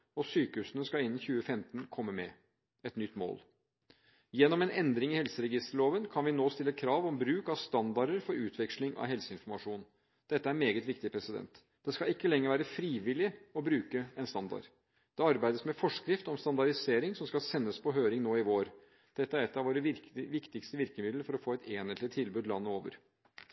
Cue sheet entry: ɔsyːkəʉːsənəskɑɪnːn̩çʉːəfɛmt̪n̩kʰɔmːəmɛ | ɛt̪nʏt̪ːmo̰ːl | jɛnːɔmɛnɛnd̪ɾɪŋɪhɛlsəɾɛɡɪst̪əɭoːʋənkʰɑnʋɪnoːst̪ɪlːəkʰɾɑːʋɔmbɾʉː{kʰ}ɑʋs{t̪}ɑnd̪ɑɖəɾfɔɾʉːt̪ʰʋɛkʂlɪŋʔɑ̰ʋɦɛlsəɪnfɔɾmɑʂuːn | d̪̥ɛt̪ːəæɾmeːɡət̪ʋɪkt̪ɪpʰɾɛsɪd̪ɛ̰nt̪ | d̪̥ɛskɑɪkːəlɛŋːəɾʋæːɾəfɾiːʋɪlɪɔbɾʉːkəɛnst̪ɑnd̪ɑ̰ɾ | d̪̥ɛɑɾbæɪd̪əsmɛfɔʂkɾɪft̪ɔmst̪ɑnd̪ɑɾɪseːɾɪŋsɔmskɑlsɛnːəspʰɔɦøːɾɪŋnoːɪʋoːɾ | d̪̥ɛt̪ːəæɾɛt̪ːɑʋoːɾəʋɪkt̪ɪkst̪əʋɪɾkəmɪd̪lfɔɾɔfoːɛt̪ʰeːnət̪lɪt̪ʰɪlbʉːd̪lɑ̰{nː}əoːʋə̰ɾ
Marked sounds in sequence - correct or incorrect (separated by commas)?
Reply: incorrect, correct, correct